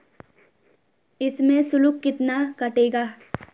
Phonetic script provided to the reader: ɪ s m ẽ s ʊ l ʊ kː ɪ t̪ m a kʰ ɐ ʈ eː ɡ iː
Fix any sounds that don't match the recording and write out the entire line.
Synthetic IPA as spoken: ɪ s m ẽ s ʊ l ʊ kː ɪ t̪ n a k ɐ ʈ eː ɡ aː